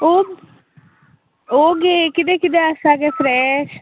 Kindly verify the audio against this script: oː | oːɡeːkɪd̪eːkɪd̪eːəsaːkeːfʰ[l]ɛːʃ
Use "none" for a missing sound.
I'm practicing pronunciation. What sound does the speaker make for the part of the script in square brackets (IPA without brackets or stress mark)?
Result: ɾ